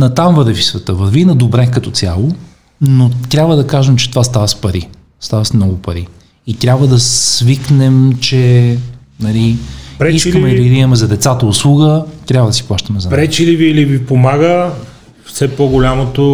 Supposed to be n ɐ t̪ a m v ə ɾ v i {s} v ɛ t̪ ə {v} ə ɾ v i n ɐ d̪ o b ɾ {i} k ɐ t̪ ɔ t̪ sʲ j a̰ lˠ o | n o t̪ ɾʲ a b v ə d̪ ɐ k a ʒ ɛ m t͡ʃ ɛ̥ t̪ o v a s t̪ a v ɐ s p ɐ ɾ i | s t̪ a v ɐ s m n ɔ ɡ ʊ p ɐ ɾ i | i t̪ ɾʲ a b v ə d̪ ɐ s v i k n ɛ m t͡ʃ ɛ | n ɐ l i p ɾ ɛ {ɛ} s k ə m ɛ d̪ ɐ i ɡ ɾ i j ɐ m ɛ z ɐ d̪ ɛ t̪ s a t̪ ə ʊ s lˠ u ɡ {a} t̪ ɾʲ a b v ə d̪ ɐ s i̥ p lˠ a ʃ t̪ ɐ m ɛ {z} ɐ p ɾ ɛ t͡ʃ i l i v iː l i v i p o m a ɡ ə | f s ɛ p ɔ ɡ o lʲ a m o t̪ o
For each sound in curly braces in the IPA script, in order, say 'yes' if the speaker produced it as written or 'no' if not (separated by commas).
yes, yes, no, no, no, yes